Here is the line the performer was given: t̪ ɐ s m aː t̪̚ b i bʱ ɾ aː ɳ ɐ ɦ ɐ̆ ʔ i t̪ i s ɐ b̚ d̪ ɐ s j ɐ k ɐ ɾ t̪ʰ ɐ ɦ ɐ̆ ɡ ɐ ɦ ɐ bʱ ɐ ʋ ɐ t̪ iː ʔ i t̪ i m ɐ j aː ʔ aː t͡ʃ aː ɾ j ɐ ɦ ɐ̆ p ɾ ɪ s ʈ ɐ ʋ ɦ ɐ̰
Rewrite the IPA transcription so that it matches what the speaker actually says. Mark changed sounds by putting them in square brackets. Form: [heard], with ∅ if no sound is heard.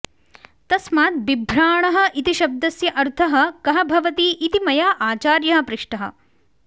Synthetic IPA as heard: t̪ ɐ s m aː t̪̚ b i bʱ ɾ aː ɳ ɐ ɦ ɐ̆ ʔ i t̪ i [ʃ] ɐ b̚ d̪ ɐ s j ɐ [ʔ] ɐ ɾ t̪ʰ ɐ ɦ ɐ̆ [k] ɐ ɦ ɐ bʱ ɐ ʋ ɐ t̪ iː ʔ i t̪ i m ɐ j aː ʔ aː t͡ʃ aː ɾ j ɐ ɦ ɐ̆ p ɾ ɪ [ʂ] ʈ ɐ [∅] ɦ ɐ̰